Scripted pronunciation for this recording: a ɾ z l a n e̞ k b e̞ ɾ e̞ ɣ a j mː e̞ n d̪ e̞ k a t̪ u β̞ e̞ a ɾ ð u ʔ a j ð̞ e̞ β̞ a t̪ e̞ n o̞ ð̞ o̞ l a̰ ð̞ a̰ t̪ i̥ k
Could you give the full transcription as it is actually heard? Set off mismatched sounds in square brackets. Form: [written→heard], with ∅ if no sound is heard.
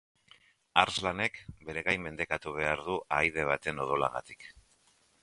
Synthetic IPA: a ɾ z l a n e̞ k b e̞ ɾ e̞ ɣ a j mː e̞ n d̪ e̞ k a t̪ u β̞ e̞ a ɾ ð u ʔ a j ð̞ e̞ β̞ a t̪ e̞ n o̞ ð̞ o̞ l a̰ [ð̞→ɣ̞] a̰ t̪ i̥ k